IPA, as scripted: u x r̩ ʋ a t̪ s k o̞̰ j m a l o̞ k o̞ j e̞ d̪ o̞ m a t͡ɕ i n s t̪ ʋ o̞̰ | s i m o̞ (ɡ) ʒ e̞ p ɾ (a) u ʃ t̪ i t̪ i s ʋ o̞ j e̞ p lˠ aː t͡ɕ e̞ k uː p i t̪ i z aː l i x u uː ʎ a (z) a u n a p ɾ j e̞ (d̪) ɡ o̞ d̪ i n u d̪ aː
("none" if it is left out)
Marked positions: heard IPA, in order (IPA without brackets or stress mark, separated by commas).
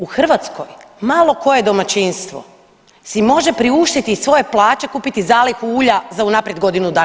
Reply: none, i, z, d̪